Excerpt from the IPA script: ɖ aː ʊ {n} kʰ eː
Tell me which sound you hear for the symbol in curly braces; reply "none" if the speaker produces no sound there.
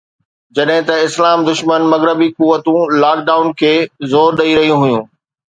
n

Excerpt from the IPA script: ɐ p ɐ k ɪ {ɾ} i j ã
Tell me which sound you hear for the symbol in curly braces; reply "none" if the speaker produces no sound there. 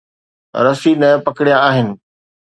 ɽ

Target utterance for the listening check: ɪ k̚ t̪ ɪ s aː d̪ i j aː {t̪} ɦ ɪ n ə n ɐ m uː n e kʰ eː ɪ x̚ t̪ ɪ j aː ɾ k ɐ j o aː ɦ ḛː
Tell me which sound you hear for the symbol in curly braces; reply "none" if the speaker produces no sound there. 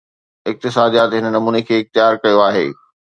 t̪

